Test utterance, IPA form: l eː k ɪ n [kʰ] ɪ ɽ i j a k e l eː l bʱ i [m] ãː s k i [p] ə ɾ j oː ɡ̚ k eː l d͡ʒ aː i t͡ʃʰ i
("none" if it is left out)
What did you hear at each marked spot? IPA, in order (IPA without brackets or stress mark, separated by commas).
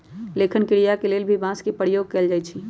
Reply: k, b, p